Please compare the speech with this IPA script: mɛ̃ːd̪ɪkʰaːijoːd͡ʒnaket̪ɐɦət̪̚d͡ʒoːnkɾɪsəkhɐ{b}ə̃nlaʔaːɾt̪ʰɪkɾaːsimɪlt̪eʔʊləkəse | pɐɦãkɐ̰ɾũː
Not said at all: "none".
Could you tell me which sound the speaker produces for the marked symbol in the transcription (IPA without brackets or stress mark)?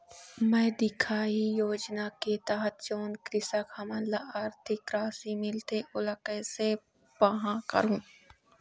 m